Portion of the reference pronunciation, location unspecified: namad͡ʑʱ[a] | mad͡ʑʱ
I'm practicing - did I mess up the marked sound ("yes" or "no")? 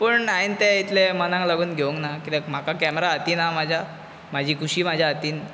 no